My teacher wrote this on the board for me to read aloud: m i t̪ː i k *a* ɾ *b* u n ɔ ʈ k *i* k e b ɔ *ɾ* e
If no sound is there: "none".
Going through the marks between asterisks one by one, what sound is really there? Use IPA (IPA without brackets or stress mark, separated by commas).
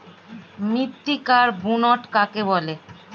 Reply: a, b, a, l